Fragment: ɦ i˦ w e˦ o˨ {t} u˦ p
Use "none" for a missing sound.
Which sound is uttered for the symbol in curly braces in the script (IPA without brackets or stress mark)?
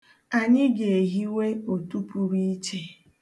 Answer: t